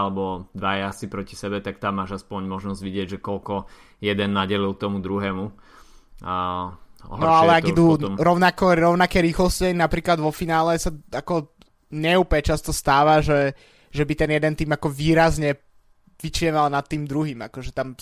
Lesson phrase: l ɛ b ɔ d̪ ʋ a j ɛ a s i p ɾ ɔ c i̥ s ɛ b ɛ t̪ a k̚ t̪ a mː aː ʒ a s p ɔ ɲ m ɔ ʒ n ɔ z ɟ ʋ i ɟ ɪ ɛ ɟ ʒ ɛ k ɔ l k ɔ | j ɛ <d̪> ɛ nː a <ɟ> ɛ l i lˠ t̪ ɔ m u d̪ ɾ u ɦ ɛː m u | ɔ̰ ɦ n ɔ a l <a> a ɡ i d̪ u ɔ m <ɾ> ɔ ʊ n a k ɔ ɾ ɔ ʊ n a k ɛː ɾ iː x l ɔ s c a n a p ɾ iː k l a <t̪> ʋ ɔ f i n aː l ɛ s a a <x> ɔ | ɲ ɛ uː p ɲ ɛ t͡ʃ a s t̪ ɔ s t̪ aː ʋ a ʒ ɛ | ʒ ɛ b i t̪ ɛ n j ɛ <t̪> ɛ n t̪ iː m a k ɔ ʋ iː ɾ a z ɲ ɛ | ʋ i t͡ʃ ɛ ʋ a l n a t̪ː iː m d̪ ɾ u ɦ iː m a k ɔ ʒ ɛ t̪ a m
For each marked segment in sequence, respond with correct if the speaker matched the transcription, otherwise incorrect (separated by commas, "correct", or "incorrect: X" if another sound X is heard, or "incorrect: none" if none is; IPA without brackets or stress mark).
correct, correct, incorrect: ɛ, correct, incorrect: d̪, incorrect: k, incorrect: d̪